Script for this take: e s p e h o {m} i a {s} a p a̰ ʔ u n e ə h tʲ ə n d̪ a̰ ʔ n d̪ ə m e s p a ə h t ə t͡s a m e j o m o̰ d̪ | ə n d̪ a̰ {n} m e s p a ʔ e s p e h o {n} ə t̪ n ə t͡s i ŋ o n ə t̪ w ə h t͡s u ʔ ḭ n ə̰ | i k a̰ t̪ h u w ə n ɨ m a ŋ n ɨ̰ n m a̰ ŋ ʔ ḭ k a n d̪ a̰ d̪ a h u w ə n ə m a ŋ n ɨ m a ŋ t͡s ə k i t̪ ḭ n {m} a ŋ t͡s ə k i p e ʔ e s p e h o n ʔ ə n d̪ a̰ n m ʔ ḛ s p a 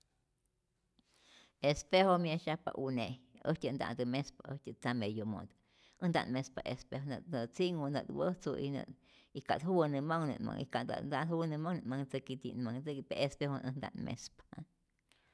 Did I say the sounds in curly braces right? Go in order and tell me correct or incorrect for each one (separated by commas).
correct, incorrect, correct, correct, correct